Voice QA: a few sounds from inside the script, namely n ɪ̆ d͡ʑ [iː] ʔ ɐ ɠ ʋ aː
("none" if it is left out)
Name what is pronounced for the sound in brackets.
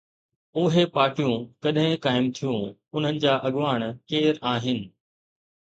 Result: aː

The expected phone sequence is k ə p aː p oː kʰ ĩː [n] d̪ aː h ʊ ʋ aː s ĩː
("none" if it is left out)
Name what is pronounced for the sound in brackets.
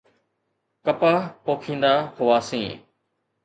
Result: n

